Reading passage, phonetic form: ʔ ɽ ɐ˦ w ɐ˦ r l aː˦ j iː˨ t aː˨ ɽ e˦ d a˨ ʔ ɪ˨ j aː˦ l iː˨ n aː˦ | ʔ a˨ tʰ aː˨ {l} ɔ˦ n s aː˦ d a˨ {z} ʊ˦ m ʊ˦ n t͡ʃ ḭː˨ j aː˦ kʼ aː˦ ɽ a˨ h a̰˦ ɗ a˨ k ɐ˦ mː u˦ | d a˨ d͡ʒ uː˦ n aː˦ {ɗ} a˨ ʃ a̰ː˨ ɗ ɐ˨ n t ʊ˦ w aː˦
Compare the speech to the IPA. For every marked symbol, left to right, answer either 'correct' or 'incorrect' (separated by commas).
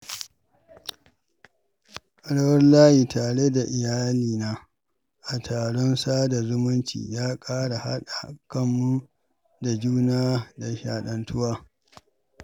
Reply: incorrect, correct, incorrect